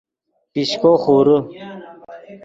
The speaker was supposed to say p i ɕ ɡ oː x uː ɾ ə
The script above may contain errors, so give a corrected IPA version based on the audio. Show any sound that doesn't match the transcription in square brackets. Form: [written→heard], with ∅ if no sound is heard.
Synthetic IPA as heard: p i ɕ [ɡ→k] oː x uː ɾ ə